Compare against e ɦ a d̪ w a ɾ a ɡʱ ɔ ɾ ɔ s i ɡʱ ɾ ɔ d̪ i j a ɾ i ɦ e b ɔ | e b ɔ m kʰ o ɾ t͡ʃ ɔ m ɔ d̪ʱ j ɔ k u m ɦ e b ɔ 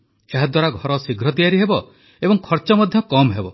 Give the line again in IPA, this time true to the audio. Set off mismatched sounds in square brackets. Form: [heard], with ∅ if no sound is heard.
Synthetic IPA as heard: e ɦ a d̪ w a ɾ a ɡʱ ɔ ɾ ɔ s i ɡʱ ɾ ɔ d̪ i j a ɾ i ɦ e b ɔ | e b ɔ [ŋ] kʰ [ɔ] ɾ t͡ʃ ɔ m ɔ d̪ʱ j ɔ k [ɔ] m ɦ e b ɔ